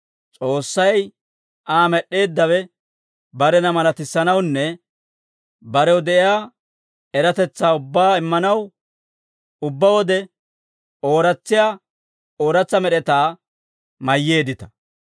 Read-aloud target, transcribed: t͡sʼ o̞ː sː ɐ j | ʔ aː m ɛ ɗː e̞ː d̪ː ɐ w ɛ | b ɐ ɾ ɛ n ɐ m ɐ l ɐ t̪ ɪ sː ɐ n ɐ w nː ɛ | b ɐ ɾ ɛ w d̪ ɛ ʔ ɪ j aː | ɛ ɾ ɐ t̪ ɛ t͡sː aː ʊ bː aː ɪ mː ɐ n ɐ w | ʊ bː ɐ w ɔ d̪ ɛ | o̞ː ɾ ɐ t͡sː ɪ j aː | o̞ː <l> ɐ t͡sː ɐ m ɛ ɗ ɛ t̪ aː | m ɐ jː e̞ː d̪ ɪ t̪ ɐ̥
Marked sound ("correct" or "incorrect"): incorrect